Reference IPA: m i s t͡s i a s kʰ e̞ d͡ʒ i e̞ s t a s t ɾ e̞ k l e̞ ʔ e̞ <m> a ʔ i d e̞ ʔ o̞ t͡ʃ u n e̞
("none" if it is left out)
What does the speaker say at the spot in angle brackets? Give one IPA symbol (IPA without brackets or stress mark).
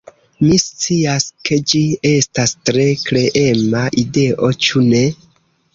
m